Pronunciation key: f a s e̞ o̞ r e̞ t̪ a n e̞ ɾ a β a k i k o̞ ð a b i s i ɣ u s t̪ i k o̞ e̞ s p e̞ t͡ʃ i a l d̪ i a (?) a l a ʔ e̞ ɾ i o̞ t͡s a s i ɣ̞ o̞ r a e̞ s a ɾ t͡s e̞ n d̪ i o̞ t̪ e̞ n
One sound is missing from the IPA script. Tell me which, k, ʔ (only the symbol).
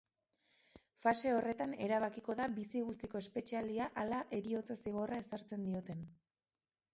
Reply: ʔ